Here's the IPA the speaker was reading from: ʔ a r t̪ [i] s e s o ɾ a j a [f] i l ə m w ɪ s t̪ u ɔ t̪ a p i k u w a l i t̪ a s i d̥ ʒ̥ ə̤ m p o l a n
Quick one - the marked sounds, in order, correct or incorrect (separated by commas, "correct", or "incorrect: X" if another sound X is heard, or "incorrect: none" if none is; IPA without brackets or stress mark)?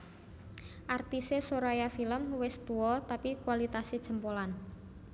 correct, correct